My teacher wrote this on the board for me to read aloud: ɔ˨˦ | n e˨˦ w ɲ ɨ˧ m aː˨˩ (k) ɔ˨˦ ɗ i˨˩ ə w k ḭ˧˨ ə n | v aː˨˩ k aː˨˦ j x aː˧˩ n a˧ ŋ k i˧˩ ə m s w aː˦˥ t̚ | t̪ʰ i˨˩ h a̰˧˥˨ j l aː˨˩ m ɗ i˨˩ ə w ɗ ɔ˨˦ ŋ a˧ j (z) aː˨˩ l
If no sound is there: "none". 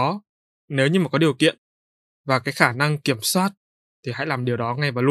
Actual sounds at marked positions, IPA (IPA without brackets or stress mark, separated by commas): k, v